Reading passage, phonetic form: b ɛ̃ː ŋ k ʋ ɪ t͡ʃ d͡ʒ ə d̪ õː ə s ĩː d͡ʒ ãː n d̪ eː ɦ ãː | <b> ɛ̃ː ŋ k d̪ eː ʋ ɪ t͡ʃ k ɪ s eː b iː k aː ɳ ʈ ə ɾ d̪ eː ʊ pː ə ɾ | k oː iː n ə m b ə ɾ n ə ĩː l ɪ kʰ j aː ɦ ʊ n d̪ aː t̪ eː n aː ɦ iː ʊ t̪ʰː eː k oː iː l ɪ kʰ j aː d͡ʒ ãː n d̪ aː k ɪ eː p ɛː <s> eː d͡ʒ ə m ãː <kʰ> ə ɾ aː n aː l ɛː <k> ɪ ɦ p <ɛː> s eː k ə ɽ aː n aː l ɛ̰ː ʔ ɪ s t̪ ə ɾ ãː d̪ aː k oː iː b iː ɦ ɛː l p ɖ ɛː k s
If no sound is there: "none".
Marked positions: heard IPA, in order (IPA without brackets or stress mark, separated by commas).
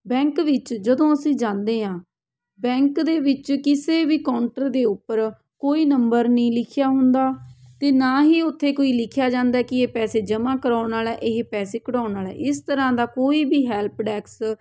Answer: b, s, k, ʔ, ɛː